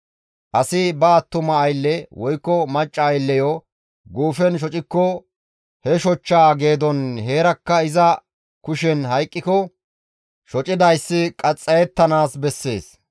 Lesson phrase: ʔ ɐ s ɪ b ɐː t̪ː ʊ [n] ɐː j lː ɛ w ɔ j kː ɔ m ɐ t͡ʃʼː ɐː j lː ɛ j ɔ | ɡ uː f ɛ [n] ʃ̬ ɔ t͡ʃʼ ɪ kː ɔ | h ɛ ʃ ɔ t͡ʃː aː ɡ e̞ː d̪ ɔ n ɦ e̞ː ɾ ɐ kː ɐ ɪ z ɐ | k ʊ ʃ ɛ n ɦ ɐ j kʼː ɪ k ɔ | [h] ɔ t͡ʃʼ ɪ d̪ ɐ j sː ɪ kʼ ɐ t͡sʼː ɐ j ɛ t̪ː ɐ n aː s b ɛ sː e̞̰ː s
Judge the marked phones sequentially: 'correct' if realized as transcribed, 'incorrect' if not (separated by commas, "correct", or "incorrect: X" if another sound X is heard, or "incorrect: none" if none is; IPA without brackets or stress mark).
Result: incorrect: m, correct, incorrect: ʃ